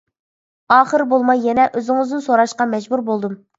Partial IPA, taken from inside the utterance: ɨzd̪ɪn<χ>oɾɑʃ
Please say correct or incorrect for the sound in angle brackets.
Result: incorrect